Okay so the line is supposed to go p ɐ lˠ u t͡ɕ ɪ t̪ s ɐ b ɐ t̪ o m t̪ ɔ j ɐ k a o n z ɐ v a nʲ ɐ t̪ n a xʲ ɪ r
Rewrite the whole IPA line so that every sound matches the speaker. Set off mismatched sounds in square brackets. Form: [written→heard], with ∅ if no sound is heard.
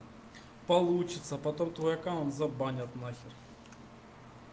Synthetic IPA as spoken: p ɐ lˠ u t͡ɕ ɪ t̪ s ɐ [b→p] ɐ t̪ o m t̪ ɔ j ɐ k a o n z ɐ [v→b] a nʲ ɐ t̪ n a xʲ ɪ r